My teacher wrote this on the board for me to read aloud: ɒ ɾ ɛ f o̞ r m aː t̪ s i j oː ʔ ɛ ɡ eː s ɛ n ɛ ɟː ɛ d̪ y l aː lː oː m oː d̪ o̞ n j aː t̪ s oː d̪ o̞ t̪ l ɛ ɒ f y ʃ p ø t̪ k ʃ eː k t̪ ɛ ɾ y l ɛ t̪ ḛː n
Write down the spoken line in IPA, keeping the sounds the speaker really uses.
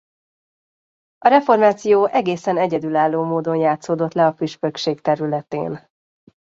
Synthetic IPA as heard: ɒ ɾ ɛ f o̞ r m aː t̪ s i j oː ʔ ɛ ɡ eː s ɛ n ɛ ɟ ɛ d̪ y l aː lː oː m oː d̪ o̞ n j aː t̪ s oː d̪ o̞ t̪ l ɛ ɒ f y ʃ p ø k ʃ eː k t̪ ɛ ɾ y l ɛ t̪ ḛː n